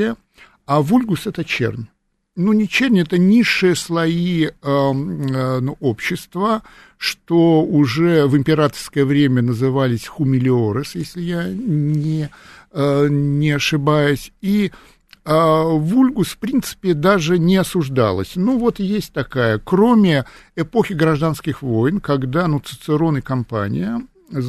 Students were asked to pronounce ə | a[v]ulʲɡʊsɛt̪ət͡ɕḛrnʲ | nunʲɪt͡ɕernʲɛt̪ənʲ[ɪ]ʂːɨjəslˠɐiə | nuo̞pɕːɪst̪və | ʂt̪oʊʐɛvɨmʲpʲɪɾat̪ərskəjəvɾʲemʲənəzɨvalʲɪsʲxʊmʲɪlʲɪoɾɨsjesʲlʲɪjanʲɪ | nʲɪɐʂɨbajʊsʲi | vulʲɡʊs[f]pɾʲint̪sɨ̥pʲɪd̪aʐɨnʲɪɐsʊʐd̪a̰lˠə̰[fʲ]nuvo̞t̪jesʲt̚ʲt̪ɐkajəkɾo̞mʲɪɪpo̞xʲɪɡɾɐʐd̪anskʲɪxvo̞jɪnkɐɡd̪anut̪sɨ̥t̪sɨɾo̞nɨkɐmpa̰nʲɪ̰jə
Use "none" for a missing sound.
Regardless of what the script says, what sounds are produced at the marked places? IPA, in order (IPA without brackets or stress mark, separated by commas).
v, i, f, sʲ